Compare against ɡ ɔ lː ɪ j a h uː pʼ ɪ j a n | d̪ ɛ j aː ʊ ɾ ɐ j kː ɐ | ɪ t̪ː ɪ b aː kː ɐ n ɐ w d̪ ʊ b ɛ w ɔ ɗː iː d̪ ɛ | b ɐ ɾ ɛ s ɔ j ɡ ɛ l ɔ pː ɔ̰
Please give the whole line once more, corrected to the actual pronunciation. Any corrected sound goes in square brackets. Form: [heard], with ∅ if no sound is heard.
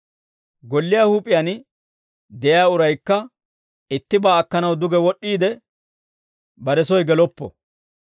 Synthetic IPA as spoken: ɡ ɔ lː ɪ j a h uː pʼ ɪ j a n | d̪ ɛ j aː ʊ ɾ ɐ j kː ɐ | ɪ t̪ː ɪ b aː kː ɐ n ɐ w d̪ ʊ [ɡ] ɛ w ɔ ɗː iː d̪ ɛ | b ɐ ɾ ɛ s ɔ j ɡ ɛ l ɔ pː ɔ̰